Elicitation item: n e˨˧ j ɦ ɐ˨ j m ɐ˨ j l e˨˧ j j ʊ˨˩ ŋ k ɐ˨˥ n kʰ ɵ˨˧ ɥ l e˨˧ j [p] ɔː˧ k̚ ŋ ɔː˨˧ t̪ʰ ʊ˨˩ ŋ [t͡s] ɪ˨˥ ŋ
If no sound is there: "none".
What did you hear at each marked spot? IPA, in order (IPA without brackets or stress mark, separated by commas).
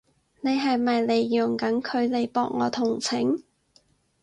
p, t͡sʰ